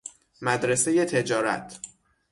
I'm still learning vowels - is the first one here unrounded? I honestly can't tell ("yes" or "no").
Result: yes